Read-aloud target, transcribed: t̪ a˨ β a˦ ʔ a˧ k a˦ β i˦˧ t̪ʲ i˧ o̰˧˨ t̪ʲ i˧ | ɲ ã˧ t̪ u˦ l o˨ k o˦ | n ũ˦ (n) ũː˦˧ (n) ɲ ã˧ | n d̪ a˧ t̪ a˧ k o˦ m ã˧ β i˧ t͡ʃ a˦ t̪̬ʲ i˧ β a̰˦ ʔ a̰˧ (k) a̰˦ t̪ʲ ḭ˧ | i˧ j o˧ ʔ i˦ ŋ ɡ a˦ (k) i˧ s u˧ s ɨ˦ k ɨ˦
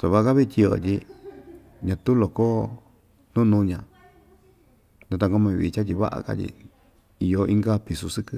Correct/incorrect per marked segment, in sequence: correct, incorrect: none, correct, incorrect: p

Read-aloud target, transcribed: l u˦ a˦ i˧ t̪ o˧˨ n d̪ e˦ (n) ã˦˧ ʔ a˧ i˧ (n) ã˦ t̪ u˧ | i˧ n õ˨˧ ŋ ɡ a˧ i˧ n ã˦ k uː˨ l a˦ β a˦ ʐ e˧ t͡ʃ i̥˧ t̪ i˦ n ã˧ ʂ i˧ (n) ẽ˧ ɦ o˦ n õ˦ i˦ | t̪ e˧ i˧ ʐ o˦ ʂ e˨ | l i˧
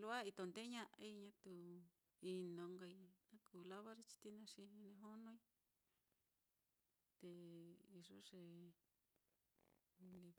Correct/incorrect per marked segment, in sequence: incorrect: ɲ, incorrect: ɲ, correct

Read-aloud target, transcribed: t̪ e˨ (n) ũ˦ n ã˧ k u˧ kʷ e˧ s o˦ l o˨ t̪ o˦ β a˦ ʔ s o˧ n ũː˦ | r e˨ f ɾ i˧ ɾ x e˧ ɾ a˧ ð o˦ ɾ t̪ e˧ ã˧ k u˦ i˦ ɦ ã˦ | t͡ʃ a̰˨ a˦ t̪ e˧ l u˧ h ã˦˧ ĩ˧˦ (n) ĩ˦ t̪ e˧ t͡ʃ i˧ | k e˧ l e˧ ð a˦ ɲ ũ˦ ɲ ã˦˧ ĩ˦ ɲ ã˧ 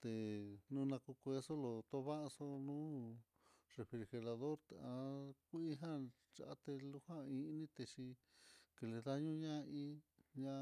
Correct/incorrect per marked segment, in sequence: correct, correct

